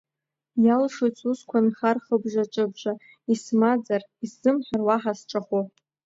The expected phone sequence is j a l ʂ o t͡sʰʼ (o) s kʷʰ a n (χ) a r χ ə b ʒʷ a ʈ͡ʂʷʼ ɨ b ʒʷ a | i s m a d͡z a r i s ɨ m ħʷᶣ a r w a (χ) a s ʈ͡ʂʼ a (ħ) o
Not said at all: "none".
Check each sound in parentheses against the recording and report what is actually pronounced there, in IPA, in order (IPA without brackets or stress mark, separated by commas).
u, χ, ħ, χ